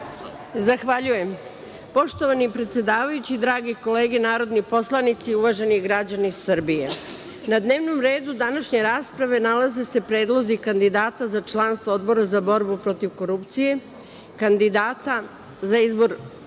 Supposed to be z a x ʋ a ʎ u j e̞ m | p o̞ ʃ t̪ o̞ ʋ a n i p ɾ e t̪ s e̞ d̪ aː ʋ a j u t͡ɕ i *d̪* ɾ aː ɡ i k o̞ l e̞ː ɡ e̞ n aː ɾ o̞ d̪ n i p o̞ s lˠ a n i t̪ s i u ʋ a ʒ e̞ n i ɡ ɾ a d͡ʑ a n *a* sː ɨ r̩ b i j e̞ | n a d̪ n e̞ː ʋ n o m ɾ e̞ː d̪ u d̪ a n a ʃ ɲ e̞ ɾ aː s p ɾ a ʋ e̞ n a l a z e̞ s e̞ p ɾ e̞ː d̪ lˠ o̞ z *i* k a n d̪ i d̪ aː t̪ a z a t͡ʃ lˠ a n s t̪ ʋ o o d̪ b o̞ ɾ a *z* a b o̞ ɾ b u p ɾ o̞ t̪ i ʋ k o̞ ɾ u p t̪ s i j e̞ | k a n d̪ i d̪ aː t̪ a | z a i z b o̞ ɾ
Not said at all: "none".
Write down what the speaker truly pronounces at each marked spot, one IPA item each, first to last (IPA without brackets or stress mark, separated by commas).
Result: d̪, i, i, z